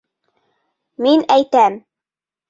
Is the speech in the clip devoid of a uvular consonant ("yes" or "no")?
yes